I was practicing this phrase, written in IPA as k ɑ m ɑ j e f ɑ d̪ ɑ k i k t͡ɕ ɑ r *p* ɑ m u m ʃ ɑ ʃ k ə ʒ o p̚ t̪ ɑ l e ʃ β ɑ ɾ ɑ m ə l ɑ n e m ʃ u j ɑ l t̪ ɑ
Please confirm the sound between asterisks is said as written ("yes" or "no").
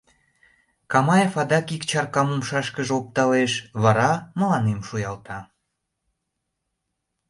no